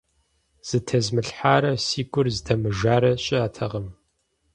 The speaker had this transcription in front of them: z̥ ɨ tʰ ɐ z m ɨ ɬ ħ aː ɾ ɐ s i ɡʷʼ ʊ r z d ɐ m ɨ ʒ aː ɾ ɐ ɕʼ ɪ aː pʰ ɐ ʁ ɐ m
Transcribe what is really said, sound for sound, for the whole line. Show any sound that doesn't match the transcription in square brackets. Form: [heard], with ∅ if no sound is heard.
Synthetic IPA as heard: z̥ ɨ tʰ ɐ z m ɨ ɬ ħ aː ɾ ɐ s [iː] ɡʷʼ ʊ r z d ɐ m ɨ ʒ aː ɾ ɐ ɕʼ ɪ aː [tʰ] ɐ ʁ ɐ m